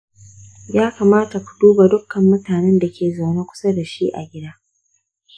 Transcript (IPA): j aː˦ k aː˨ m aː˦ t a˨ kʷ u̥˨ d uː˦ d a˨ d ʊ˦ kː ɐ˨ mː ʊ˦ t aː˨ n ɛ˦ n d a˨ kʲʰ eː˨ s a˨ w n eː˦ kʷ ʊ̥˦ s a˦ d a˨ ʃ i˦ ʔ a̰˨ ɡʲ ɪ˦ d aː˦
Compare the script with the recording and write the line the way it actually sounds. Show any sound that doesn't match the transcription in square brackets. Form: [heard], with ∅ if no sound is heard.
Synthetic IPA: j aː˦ k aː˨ m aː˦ t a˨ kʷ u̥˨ d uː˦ [b] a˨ d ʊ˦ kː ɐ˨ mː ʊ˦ t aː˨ n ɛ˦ n d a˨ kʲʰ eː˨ [z] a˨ w n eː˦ kʷ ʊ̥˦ s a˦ d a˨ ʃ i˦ ʔ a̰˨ ɡʲ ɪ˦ d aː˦